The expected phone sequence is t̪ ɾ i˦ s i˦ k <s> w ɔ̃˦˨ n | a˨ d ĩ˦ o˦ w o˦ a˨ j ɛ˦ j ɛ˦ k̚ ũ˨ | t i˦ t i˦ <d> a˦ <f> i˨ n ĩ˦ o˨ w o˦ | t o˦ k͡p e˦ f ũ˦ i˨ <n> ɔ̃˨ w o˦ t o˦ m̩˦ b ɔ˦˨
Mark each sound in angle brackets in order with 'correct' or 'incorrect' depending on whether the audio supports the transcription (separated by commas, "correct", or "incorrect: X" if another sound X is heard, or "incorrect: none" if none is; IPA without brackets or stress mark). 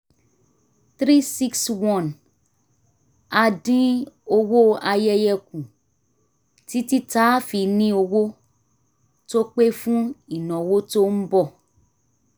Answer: correct, incorrect: t, correct, correct